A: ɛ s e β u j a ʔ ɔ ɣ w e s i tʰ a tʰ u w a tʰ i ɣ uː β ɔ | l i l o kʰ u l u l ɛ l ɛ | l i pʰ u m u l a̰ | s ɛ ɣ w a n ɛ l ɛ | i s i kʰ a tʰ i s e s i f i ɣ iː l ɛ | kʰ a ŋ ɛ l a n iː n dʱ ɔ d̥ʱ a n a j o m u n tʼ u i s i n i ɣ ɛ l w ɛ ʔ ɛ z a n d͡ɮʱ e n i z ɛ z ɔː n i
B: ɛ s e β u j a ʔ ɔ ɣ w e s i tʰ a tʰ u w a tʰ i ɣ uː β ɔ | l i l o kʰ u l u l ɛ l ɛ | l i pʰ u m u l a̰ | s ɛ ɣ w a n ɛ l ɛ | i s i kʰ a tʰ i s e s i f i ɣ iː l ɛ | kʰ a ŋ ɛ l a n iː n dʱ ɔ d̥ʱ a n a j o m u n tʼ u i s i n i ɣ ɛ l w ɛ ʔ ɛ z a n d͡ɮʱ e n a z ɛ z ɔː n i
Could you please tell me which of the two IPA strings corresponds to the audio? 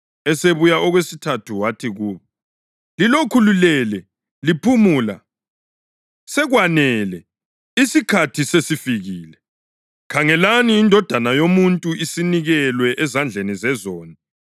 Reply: A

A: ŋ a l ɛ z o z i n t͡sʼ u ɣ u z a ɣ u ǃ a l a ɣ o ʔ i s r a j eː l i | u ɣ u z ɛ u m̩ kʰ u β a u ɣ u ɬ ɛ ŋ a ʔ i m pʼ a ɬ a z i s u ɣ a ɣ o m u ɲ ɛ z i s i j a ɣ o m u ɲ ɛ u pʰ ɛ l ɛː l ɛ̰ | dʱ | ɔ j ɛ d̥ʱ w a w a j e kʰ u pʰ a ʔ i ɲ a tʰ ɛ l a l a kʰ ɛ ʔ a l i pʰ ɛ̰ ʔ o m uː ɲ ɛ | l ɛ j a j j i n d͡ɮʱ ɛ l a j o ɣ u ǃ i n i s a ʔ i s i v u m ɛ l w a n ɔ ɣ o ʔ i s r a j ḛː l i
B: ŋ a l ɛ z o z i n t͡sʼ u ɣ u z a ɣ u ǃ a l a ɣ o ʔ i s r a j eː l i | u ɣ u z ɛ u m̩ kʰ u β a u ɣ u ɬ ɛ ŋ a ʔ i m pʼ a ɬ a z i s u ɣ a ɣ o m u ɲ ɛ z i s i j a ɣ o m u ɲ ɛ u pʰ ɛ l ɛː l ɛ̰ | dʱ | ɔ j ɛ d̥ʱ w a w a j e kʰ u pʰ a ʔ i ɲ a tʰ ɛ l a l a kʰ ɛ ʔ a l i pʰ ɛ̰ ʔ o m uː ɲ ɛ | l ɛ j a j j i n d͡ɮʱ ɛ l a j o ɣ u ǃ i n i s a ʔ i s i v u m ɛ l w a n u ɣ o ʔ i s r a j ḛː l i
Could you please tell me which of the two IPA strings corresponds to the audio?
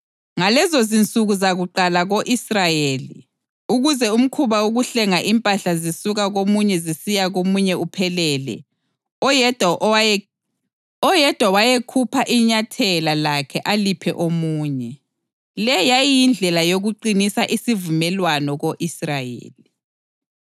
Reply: A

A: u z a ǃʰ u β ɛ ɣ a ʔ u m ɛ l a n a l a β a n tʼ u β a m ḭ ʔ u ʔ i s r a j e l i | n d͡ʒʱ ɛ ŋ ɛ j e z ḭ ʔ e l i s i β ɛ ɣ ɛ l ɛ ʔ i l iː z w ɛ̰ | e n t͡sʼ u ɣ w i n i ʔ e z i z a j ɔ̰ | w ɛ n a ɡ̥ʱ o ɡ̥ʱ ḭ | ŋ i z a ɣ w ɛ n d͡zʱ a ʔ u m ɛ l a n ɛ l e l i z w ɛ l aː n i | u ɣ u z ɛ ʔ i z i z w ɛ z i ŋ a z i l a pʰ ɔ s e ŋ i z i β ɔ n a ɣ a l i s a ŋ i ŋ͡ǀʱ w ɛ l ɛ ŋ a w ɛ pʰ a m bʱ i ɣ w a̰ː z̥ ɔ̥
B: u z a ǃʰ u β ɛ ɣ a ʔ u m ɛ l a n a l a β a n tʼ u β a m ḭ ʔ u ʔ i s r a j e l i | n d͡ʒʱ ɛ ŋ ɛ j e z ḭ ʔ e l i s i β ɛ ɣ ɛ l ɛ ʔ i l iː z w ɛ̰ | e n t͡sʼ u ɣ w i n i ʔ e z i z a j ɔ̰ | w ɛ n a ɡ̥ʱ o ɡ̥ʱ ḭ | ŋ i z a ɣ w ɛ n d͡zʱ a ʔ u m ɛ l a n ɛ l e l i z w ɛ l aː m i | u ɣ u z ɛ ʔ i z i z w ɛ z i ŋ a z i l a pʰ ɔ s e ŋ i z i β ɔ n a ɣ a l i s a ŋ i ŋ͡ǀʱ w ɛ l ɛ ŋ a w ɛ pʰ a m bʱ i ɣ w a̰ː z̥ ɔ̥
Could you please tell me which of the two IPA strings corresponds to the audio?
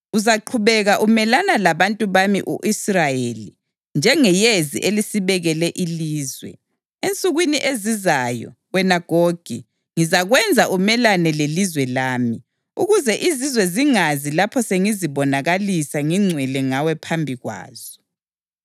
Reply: B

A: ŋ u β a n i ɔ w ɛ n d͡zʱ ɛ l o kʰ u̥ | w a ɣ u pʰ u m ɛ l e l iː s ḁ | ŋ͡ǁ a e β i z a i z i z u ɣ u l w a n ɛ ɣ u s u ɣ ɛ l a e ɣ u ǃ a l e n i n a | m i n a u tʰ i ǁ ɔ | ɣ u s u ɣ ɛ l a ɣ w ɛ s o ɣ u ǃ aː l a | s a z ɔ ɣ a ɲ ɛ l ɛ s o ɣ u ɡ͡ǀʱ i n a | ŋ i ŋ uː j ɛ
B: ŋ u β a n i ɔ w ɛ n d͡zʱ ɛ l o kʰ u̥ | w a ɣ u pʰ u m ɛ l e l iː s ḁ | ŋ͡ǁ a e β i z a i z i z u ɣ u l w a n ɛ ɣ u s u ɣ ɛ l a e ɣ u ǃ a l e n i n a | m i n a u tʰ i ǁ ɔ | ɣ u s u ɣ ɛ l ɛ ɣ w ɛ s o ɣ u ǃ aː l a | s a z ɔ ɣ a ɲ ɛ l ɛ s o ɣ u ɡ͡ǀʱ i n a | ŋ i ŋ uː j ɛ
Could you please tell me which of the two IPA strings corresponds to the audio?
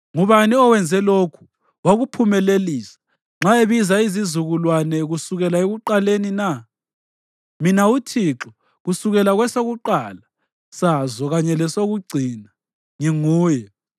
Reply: A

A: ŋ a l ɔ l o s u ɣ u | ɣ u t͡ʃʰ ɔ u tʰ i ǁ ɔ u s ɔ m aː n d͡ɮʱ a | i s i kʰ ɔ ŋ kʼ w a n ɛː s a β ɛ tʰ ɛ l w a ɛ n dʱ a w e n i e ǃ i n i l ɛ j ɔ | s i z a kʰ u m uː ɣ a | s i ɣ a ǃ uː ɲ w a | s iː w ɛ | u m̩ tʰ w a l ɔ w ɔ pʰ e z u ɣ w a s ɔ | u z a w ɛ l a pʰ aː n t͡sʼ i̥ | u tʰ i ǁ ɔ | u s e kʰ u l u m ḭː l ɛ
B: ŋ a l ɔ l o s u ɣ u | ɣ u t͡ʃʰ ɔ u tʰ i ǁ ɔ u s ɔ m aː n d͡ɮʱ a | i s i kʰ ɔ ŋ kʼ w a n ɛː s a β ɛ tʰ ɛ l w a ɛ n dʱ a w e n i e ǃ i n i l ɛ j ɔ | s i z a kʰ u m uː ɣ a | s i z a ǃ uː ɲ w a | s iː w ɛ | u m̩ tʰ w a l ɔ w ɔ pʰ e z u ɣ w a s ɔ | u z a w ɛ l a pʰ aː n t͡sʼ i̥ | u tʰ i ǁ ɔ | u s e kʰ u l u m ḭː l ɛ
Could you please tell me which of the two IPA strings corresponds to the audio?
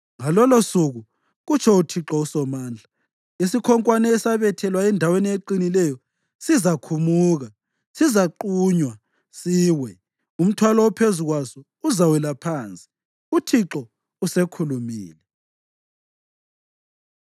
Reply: B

